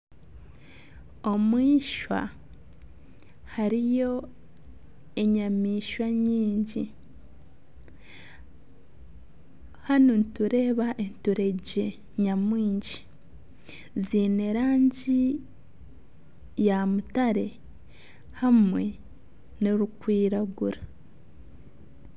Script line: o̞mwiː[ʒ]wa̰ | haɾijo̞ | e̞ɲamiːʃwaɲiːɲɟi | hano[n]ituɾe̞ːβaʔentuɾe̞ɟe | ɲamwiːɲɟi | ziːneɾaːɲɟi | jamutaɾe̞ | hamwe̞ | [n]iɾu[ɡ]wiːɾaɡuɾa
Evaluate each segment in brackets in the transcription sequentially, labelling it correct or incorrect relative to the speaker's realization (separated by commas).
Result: incorrect, correct, correct, incorrect